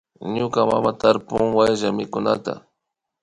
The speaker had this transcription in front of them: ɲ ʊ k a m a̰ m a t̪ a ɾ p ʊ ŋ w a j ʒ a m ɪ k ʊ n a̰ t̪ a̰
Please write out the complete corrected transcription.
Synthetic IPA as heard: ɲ ʊ k a m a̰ m a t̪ a ɾ p ʊ ŋ w a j ʒ a m ɪ k ʊ n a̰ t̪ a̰